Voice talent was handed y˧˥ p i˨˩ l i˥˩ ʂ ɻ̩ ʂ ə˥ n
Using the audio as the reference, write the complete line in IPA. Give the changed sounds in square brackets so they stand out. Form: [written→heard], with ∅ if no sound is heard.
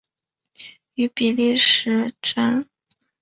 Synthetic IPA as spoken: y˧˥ p i˨˩ l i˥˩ ʂ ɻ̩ [ʂ→ʈ͡ʂ] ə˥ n